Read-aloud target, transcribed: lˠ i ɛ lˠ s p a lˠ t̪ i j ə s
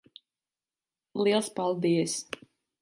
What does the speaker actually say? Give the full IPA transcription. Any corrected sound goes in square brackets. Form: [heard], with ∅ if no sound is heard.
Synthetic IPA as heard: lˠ i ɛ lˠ s p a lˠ [d̪] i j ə s